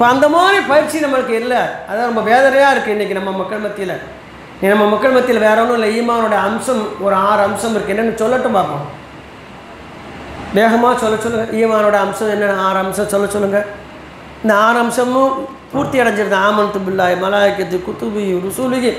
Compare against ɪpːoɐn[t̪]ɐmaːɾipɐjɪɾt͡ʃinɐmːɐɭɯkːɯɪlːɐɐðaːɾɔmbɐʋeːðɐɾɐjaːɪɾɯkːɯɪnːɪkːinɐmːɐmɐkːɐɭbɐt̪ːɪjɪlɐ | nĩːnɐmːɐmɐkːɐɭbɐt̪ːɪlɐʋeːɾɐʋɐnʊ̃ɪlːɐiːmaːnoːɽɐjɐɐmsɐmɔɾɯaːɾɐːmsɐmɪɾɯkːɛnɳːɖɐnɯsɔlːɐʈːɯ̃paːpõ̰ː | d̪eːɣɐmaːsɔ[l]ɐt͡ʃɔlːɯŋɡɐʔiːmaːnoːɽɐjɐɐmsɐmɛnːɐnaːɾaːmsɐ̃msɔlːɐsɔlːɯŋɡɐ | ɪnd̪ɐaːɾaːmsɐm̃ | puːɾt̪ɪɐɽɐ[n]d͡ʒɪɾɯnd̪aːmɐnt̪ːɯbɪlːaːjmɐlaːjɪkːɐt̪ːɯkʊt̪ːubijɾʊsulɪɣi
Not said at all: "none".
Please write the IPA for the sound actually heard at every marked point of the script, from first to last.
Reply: d̪, lː, ɲ

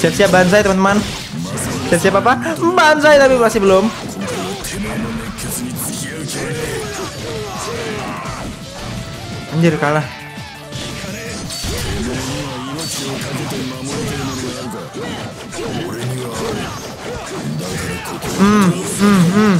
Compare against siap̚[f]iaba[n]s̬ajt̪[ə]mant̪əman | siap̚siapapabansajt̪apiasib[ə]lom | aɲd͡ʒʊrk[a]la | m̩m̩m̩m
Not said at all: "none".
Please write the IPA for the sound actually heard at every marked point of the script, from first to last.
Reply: s, n, ə, ə, a

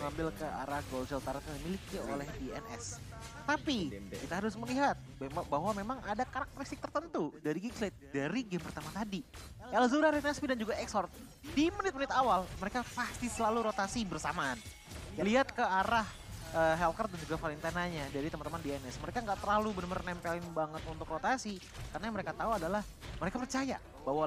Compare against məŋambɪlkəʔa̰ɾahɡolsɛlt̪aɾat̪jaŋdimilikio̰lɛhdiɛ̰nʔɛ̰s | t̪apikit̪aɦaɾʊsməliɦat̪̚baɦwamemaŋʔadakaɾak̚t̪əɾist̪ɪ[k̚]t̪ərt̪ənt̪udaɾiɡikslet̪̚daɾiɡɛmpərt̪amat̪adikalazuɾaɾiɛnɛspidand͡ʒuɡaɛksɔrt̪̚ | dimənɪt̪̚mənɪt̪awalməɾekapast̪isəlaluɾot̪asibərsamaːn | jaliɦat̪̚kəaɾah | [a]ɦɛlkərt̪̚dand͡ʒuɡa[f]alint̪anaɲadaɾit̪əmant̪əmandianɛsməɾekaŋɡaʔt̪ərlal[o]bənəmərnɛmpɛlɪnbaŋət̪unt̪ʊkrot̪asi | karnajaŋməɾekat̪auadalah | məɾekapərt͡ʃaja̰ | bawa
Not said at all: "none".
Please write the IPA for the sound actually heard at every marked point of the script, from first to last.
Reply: k̚, ə, f, u

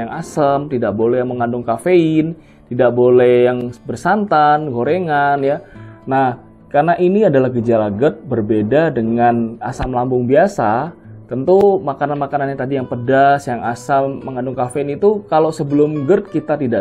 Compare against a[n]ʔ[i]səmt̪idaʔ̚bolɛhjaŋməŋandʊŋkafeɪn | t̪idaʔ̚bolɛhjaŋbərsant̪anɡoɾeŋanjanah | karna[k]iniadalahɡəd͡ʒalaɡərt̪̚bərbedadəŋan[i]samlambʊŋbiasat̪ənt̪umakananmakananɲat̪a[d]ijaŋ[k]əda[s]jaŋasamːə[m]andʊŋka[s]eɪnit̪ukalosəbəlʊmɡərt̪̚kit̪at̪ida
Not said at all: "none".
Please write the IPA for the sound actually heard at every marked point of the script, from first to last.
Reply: ŋ, a, ʔ, a, d, p, s, ŋ, f

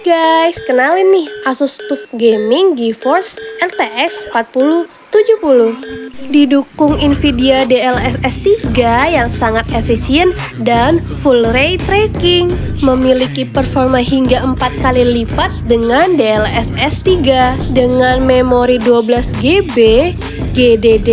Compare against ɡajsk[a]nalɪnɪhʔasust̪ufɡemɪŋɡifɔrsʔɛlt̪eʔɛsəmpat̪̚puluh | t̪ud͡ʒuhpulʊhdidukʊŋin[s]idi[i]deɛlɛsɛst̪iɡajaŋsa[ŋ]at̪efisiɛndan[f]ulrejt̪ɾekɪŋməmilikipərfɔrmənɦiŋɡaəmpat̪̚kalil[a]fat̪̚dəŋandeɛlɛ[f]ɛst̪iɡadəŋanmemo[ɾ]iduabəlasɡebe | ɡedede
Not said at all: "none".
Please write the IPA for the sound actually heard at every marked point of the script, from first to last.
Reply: ə, f, a, ŋ, f, i, s, ɾ

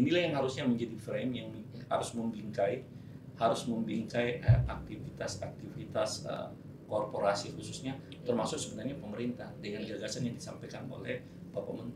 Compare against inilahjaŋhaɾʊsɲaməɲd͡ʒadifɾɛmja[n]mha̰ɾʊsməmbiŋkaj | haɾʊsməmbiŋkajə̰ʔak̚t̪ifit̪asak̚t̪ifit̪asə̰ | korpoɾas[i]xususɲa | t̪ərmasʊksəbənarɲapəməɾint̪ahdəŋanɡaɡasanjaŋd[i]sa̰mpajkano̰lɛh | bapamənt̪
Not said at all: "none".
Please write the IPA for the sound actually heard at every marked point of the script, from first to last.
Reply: ŋ, i, i

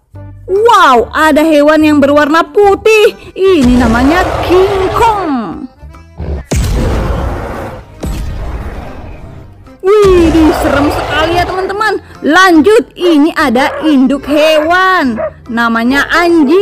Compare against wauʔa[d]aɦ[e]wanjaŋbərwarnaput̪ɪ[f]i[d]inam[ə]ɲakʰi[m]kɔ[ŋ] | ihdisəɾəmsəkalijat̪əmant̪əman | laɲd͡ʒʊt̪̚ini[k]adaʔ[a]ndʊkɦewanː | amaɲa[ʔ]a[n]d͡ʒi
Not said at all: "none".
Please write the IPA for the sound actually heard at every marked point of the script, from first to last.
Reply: d, e, h, n, a, ŋ, ŋ, ʔ, i, ʔ, ɲ

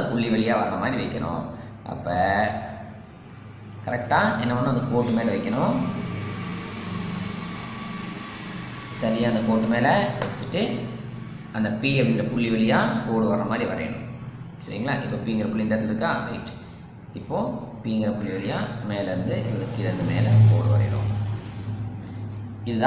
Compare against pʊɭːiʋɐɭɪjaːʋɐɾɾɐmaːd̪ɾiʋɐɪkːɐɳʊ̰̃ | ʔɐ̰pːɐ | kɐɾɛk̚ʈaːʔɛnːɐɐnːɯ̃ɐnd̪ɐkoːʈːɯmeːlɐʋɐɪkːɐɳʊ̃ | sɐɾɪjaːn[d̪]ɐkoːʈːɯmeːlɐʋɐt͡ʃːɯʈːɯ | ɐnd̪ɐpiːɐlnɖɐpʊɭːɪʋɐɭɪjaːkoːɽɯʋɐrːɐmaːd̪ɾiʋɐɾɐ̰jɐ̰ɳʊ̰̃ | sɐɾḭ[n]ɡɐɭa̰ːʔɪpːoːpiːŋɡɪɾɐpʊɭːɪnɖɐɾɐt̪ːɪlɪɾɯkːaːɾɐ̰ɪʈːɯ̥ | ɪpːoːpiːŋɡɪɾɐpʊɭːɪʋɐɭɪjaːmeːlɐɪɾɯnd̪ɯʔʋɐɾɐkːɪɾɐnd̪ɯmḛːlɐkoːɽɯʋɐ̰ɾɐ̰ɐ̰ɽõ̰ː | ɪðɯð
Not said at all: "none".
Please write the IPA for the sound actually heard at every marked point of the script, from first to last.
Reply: d̪, ŋ

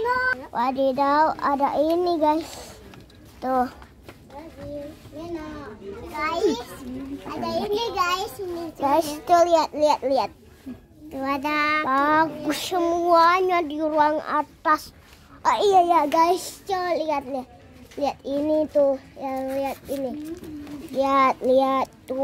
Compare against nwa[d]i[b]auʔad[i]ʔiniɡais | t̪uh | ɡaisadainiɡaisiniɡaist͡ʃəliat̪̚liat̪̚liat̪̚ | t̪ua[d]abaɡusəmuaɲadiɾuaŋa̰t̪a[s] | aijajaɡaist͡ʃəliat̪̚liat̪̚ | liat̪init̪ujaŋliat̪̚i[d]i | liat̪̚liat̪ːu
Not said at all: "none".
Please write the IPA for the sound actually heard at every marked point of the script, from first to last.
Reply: d, d, a, d, s, n

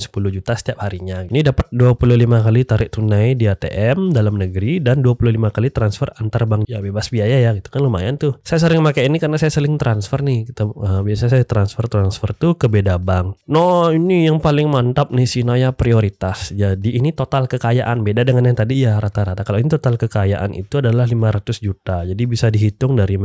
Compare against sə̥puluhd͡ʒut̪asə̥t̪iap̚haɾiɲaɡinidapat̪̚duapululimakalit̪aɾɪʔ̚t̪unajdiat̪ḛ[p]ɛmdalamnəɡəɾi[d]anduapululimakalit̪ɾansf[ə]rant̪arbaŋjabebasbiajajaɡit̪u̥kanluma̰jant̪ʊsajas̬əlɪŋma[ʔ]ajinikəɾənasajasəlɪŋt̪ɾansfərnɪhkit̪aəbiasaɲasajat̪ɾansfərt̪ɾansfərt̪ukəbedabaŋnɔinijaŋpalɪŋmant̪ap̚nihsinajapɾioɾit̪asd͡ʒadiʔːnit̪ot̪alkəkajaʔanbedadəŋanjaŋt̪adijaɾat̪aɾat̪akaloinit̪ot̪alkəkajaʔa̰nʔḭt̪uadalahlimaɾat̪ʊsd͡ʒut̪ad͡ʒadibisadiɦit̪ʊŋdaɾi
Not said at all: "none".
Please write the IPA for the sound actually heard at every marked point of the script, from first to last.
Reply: ʔ, d, ə, k

